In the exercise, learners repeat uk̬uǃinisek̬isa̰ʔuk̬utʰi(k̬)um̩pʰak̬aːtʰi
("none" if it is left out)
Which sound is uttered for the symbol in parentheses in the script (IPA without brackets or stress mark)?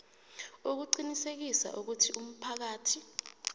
none